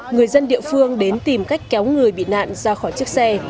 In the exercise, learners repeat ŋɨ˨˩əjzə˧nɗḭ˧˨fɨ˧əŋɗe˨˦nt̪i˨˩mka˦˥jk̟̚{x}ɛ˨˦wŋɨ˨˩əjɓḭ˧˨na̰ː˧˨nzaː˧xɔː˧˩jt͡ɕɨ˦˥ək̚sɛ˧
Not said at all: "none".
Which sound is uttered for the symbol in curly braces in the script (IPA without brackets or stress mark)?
k